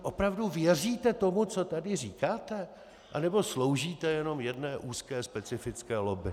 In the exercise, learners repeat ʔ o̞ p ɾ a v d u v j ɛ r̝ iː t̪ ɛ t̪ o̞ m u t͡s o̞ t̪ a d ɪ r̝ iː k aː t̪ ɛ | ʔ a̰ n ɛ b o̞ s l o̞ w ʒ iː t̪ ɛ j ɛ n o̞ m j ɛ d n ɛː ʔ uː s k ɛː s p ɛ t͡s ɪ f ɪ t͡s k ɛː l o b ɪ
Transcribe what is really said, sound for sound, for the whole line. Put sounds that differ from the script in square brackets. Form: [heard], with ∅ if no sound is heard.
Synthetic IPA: ʔ o̞ p ɾ a v d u v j ɛ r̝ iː t̪ ɛ t̪ o̞ m u t͡s o̞ t̪ a d ɪ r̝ iː k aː t̪ ɛ | ʔ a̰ n ɛ b o̞ s l o̞ w ʒ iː t̪ ɛ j ɛ n o̞ m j ɛ d n ɛː ʔ uː s k ɛː s p ɛ t͡s ɪ f ɪ t͡s k ɛː l o b ɪ